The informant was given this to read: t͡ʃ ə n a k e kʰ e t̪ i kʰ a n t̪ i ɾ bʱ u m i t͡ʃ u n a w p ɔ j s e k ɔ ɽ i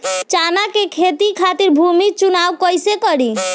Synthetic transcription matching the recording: t͡ʃ a n a k e kʰ e t̪ i kʰ a t̪ i ɾ bʱ u m i t͡ʃ u n a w k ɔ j s e k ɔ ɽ i